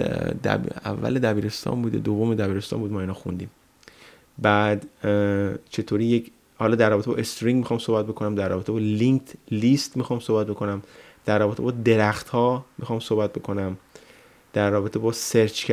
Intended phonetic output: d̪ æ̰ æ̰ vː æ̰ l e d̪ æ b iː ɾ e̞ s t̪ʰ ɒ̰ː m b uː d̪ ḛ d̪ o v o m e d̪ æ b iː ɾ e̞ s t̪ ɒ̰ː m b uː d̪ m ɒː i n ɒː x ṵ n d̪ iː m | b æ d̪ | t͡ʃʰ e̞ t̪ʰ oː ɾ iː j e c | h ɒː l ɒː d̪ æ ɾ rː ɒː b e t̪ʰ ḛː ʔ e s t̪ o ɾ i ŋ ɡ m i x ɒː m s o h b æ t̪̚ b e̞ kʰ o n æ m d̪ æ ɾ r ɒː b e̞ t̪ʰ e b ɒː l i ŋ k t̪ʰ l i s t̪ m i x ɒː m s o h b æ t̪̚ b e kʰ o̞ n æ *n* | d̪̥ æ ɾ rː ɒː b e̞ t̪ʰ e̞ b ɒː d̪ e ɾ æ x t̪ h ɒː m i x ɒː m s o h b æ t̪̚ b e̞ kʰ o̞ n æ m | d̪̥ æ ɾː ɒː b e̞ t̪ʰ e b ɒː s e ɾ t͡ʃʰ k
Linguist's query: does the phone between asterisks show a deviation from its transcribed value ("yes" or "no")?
yes